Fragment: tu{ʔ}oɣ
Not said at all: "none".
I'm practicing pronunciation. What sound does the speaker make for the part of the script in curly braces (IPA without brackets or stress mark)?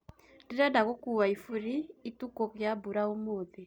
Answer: k